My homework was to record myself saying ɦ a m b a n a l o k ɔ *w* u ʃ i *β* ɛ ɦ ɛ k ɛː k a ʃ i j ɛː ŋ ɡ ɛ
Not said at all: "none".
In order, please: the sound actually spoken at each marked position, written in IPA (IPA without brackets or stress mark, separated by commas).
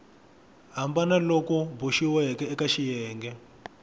b, w